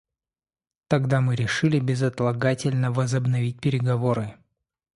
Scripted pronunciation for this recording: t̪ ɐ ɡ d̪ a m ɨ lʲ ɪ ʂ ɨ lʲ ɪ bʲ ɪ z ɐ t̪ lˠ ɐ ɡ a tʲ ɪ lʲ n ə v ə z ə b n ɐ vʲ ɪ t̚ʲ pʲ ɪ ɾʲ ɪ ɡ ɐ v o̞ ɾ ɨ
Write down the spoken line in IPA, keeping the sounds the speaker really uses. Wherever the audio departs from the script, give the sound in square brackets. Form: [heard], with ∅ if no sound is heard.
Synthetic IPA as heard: t̪ ɐ ɡ d̪ a m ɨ [ɾʲ] ɪ ʂ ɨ lʲ ɪ bʲ ɪ z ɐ t̪ lˠ ɐ ɡ a tʲ ɪ lʲ n ə v ə z ə b n ɐ vʲ [i] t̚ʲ pʲ ɪ ɾʲ ɪ ɡ ɐ v o̞ ɾ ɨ